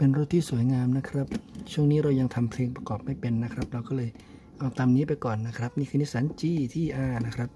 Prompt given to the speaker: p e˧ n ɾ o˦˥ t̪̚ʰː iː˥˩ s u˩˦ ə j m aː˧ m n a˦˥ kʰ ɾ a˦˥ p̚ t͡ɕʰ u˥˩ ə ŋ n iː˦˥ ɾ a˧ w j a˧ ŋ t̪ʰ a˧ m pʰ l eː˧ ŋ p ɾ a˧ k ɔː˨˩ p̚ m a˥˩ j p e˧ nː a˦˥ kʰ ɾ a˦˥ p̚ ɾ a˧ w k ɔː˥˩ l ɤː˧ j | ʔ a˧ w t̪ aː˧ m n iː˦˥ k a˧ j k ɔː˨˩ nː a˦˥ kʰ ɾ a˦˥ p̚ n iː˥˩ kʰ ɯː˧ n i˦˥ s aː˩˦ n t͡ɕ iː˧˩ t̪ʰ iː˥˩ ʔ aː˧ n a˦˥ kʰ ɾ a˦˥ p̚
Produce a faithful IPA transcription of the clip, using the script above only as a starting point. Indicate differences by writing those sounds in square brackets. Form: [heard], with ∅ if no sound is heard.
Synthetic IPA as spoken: p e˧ n ɾ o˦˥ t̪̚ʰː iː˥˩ s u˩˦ ə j [ŋ] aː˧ m n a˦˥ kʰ ɾ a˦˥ p̚ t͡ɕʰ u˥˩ ə ŋ n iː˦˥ ɾ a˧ w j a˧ ŋ t̪ʰ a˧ m pʰ l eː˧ ŋ p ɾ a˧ k ɔː˨˩ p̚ m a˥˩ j p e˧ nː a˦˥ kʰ ɾ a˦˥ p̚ ɾ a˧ w k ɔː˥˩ l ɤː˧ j | ʔ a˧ w t̪ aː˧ m n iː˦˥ [p] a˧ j k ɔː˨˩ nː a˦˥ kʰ ɾ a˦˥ p̚ n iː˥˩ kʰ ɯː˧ n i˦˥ s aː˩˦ n t͡ɕ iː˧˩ t̪ʰ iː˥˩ ʔ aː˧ n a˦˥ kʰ ɾ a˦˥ p̚

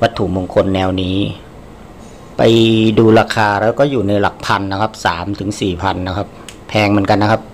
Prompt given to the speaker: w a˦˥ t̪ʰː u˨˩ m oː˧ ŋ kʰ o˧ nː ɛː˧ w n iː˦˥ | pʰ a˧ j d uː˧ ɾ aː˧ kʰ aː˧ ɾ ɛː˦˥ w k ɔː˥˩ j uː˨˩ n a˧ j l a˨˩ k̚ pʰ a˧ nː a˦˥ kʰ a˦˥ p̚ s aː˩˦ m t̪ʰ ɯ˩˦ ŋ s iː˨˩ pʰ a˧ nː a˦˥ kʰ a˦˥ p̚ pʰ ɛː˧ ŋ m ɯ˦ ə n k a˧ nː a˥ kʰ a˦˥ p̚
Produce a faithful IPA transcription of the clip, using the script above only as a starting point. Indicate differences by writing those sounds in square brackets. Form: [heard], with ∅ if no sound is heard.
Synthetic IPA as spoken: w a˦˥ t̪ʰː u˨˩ m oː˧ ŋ kʰ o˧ nː ɛː˧ w n iː˦˥ | [p] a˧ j d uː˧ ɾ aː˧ kʰ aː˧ ɾ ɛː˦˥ w k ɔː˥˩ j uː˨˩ n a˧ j l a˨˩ k̚ pʰ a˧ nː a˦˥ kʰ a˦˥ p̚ s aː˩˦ m t̪ʰ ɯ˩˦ ŋ s iː˨˩ pʰ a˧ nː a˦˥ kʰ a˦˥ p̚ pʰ ɛː˧ ŋ m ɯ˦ ə n k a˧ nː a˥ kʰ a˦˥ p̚

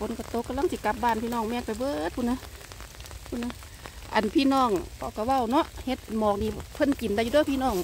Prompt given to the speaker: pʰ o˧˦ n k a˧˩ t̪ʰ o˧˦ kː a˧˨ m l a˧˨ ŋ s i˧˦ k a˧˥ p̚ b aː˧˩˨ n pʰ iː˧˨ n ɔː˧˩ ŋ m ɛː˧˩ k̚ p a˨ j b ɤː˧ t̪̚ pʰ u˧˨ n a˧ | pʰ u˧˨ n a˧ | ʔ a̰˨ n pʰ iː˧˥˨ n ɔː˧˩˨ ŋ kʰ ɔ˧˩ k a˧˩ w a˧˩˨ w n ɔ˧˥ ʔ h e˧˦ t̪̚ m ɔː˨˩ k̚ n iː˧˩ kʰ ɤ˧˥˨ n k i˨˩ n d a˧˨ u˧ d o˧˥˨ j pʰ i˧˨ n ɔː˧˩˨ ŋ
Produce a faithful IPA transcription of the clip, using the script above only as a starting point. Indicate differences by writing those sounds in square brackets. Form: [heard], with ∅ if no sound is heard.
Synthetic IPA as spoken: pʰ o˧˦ n k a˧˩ [t̪] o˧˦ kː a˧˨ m l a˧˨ ŋ s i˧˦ k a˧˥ p̚ b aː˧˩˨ n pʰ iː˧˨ n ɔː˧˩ ŋ m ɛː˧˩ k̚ p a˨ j b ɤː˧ t̪̚ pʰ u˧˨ n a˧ | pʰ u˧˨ n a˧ | ʔ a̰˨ n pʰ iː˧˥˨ n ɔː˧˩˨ ŋ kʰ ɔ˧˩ k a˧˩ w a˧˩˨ w n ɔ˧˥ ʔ h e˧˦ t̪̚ m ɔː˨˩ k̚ n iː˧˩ [pʰ] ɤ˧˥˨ n k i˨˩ n d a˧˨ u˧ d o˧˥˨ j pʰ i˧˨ n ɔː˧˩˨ ŋ

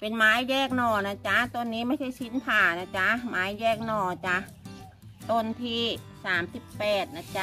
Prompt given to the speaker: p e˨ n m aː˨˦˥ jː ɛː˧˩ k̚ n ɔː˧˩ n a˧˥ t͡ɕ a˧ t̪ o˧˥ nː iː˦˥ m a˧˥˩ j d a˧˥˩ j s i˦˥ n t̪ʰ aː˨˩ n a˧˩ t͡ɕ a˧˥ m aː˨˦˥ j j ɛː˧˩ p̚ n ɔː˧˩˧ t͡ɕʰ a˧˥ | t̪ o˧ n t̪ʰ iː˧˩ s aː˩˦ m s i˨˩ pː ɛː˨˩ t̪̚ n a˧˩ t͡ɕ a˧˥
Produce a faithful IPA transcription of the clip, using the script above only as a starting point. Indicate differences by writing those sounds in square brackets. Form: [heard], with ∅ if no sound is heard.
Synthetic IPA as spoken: p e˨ n m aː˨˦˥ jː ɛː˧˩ k̚ n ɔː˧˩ n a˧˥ t͡ɕ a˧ t̪ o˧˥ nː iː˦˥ m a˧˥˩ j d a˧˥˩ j s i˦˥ n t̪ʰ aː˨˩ n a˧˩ t͡ɕ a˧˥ m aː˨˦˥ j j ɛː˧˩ [k̚] n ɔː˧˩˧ [t͡ɕ] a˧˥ | t̪ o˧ n t̪ʰ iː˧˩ s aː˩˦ m s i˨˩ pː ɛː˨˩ t̪̚ n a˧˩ t͡ɕ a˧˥

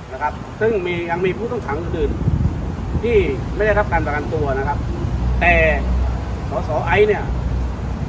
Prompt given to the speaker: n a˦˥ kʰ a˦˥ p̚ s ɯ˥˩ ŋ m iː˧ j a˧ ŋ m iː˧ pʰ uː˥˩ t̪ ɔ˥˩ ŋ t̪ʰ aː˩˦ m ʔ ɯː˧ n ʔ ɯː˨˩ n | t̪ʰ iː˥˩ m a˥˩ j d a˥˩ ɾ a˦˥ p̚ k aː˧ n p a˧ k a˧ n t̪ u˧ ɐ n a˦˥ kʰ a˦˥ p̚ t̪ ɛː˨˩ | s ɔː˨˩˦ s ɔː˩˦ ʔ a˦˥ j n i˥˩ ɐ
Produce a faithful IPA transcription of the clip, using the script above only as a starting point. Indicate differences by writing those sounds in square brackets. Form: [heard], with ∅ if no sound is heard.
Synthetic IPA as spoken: n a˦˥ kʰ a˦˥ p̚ s ɯ˥˩ ŋ m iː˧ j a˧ ŋ m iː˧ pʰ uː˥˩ t̪ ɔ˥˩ ŋ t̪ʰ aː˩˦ [ŋ] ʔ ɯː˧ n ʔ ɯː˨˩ n | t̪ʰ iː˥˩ m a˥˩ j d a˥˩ ɾ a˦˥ p̚ k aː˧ n p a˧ k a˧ n t̪ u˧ ɐ n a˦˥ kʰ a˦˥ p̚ t̪ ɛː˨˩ | s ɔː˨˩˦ s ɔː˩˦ ʔ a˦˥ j n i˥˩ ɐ

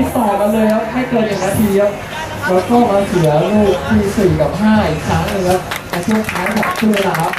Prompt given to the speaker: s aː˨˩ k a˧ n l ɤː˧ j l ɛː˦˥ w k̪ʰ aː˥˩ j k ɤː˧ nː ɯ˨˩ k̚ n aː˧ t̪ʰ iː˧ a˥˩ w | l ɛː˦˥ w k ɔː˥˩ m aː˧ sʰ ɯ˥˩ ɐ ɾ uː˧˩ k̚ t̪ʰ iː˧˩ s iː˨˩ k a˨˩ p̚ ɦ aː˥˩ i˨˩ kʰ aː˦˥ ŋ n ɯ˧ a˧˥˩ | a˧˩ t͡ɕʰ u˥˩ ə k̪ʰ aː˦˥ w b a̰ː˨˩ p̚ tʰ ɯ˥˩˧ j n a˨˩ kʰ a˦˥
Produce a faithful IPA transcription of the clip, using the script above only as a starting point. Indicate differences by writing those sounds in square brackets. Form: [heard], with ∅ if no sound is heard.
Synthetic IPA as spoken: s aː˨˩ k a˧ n l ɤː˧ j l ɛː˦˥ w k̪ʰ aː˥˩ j k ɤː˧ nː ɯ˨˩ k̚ n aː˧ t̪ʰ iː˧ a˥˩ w | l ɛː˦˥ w k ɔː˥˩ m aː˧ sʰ [ɯ˨˩˦] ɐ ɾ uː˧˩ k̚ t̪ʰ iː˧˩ s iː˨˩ k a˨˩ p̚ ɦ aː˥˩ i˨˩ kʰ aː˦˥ ŋ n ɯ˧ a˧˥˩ | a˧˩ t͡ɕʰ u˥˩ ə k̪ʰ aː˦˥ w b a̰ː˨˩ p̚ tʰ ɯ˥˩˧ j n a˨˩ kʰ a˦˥

